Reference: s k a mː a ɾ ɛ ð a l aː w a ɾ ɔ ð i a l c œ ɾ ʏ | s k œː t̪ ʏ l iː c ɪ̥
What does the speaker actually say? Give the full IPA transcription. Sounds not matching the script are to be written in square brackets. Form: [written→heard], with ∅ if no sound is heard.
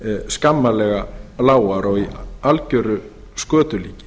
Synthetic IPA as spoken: s k a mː a [ɾ→l] ɛ [ð→ɣ] a l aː w a ɾ ɔ [ð→ɣ] i a l c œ ɾ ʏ | s k œː t̪ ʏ l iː c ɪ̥